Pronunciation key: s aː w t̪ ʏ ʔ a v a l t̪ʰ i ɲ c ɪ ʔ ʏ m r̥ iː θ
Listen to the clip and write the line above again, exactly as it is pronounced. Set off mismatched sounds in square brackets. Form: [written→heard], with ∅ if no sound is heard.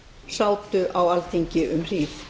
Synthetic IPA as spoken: s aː w t̪ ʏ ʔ a [v→w] a l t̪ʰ i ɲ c ɪ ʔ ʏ m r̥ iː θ